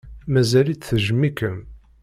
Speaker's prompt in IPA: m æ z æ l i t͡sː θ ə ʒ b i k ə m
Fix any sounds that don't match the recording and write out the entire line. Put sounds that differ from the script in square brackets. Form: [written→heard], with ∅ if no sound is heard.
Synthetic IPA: m æ z æ l i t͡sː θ ə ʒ [b→m] i k ə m

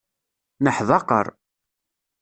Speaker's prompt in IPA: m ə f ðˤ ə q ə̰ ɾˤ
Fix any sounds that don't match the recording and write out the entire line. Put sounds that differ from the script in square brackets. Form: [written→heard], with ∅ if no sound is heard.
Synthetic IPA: [m→n] ə [f→ħ] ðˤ [ə→ɑ] q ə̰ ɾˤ

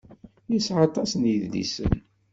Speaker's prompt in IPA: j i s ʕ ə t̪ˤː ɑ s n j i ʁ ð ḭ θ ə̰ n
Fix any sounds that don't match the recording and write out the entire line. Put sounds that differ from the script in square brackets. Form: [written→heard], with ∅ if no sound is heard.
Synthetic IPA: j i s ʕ [ə→ɑ] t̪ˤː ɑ s n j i [ʁ→ð] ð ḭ [θ→s] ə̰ n

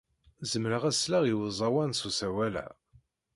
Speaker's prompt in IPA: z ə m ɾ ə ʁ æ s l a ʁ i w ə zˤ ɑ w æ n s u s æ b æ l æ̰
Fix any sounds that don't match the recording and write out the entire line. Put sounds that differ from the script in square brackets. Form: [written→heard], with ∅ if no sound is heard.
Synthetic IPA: z ə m ɾ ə ʁ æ s l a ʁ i w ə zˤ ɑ w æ n s u s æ [b→w] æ l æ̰

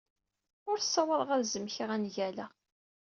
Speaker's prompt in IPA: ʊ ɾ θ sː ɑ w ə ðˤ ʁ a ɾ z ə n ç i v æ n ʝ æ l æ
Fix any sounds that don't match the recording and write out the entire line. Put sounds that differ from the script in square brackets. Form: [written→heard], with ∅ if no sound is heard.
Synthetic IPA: ʊ ɾ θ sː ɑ w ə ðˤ ʁ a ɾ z ə [n→m] ç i [v→ʁ] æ n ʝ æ l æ

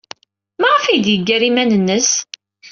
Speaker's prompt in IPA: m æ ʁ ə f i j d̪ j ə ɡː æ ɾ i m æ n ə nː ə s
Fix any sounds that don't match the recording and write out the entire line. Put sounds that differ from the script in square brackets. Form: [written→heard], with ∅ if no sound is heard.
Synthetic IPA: m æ ʁ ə f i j d̪ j ə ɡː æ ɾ i m æ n ə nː ə s

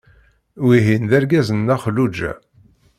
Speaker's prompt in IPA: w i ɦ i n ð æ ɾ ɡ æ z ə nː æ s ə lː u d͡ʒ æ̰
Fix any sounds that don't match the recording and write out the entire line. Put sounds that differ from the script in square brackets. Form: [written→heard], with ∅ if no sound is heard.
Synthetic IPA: w i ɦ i n ð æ ɾ ɡ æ z ə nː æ [s→χ] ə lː u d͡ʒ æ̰

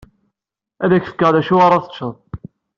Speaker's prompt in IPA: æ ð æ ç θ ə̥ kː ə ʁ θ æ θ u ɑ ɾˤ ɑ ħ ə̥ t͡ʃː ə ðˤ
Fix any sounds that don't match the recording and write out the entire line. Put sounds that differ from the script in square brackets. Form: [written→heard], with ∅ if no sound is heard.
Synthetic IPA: æ ð æ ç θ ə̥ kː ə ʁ [θ→ð] æ [θ→ʃ] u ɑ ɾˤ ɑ [ħ→θ] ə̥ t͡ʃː ə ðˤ

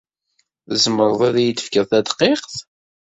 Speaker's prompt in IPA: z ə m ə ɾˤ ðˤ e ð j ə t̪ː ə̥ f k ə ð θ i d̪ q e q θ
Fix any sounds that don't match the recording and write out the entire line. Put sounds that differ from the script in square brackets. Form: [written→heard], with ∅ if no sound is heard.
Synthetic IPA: z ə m ə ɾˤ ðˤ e ð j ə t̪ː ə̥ f k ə ð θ [i→æ] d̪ q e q θ

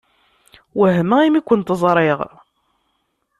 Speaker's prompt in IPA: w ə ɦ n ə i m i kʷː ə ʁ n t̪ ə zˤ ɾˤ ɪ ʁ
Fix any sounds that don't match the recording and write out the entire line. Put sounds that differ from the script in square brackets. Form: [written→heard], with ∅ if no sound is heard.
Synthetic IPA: w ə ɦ [n→m] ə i m i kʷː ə [ʁ→∅] n t̪ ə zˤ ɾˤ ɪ ʁ

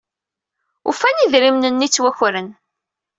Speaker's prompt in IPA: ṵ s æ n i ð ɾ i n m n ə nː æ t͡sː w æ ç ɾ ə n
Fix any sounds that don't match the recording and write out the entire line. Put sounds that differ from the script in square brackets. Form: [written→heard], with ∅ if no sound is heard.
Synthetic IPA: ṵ [s→f] æ n i ð ɾ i [n→∅] m n ə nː [æ→i] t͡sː w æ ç ɾ ə n

